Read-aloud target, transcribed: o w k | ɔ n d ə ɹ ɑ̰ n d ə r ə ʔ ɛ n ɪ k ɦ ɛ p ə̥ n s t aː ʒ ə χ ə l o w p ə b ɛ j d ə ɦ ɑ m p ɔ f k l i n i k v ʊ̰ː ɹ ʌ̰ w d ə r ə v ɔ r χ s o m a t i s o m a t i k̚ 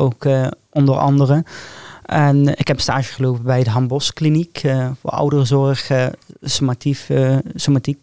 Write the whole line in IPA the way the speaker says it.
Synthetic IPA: o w k | ɔ n d ə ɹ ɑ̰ n d ə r ə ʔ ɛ n ɪ k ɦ ɛ p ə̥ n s t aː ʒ ə χ ə l o w p ə b ɛ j d ə ɦ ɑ m b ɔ s k l i n i k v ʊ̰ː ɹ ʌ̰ w d ə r ə z ɔ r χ s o m a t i s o m a t i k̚